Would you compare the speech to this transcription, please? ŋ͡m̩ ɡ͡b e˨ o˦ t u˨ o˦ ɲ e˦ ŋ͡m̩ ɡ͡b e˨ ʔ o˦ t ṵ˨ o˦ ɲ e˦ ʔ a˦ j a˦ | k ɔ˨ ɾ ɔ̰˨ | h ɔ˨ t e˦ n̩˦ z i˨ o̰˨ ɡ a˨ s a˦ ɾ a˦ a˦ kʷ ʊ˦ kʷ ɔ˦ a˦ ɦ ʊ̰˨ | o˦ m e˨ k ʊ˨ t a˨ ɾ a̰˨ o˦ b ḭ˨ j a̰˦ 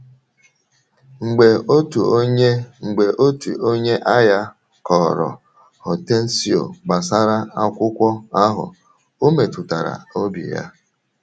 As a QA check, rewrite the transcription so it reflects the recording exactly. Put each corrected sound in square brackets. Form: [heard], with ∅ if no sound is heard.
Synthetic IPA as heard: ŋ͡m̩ ɡ͡b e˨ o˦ t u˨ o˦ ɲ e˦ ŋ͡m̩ ɡ͡b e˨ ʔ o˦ t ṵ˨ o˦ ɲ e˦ ʔ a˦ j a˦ | k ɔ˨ ɾ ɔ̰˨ | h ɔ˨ t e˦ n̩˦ [s] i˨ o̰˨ [ɡ͡b] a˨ s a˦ ɾ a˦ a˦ kʷ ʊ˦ kʷ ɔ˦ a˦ ɦ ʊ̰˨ | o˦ m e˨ [t] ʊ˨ t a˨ ɾ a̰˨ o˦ b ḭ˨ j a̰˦